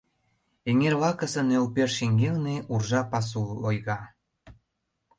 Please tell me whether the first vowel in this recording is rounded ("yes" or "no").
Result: no